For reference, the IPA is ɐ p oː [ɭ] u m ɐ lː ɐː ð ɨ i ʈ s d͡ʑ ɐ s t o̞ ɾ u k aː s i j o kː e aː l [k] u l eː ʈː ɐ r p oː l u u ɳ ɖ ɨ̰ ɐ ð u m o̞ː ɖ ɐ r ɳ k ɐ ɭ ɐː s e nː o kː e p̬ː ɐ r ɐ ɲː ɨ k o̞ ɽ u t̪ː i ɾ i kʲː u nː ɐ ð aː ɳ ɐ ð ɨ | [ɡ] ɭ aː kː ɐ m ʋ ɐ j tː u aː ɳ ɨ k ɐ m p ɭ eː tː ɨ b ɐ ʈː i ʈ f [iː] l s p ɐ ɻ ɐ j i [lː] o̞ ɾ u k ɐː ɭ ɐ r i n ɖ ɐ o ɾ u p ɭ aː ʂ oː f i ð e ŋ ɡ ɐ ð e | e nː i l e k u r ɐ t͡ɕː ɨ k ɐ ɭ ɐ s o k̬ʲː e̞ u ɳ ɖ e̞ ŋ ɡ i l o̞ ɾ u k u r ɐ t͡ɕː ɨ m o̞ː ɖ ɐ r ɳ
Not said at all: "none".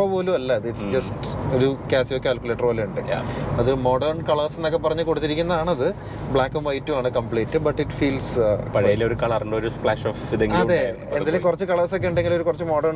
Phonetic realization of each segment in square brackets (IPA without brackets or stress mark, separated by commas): l, k, b, iː, l